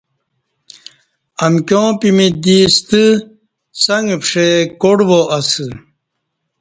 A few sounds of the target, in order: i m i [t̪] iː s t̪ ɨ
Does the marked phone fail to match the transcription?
yes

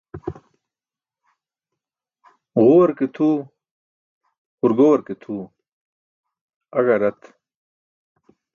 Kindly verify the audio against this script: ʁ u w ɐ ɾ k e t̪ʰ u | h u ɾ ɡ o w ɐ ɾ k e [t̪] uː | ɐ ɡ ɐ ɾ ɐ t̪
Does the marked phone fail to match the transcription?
yes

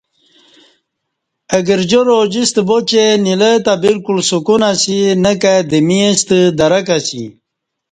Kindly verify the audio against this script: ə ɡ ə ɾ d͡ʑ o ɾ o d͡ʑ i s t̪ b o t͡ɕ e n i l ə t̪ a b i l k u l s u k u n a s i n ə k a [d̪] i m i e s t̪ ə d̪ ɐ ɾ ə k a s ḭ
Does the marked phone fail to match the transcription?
no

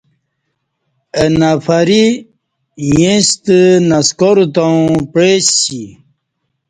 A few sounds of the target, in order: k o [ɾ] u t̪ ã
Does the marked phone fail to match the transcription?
no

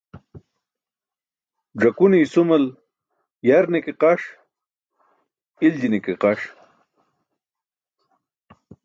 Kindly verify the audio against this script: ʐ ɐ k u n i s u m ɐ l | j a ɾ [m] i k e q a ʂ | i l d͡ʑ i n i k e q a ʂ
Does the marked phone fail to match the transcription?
yes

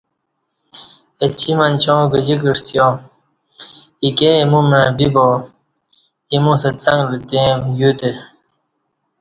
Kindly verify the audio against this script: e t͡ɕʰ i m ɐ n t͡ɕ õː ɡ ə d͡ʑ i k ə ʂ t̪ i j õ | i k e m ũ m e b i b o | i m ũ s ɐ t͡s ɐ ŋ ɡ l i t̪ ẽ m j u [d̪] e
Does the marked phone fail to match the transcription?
yes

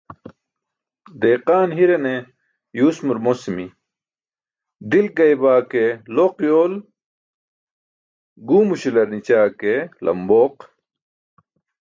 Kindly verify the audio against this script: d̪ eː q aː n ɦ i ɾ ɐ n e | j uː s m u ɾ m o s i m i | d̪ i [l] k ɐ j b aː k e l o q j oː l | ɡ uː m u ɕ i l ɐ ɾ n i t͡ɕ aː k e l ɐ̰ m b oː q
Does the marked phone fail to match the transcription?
no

